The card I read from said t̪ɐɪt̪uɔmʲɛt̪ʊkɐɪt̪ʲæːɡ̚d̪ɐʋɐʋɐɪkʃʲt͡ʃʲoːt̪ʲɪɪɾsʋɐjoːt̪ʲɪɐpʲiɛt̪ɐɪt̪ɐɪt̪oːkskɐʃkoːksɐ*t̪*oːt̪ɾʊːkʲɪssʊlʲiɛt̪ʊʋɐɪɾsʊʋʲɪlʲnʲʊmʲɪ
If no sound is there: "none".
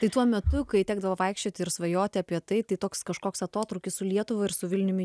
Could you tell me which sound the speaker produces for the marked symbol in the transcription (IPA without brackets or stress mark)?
t̪